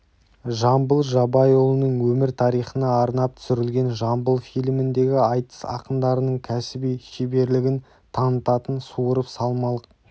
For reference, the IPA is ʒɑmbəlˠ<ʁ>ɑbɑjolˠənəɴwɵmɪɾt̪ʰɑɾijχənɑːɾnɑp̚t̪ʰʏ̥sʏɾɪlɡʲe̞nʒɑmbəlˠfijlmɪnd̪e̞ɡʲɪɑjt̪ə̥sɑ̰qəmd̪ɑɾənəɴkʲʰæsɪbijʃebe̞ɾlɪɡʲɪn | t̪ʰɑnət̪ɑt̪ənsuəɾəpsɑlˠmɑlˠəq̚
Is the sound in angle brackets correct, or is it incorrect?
incorrect